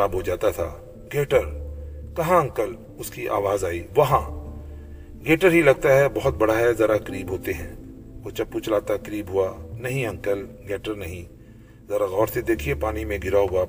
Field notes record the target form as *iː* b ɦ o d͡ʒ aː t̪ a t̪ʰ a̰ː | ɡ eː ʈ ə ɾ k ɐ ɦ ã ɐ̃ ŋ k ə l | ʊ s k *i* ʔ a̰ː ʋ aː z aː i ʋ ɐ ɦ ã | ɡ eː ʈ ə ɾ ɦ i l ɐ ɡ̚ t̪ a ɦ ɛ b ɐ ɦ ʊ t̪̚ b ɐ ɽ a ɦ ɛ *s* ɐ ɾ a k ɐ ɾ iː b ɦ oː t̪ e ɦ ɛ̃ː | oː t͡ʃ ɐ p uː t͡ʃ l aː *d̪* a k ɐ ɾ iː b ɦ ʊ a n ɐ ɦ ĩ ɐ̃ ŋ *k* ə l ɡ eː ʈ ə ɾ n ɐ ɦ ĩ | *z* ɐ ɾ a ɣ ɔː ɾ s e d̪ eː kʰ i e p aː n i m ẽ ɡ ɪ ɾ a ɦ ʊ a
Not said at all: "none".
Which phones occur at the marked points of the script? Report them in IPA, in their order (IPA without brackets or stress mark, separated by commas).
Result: aː, i, z, t̪, k, z